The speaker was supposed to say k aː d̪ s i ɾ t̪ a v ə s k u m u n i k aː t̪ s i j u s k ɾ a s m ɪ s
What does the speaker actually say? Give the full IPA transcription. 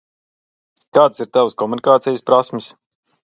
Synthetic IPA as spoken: k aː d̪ s i ɾ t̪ a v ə s k ɔ m u n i k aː t̪ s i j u s p ɾ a s m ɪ s